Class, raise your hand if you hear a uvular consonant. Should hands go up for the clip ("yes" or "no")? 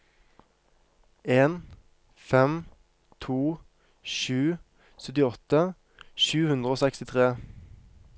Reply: yes